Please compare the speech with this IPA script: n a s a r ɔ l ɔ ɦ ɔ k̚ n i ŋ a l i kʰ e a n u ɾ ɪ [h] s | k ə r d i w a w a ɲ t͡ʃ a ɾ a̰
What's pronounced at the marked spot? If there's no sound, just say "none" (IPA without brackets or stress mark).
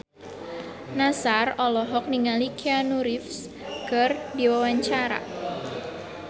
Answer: f